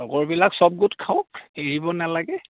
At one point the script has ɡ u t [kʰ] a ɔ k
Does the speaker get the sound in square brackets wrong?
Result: no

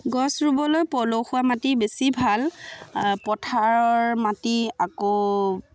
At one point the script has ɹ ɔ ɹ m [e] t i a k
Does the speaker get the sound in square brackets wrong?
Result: yes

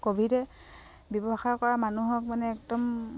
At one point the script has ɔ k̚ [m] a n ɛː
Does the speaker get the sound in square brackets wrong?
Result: no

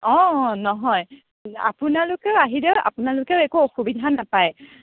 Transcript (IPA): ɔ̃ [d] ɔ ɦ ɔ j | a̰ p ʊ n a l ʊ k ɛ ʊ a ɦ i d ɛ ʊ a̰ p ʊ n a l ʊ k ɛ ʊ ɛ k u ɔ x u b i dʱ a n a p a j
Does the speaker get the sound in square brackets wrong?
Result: yes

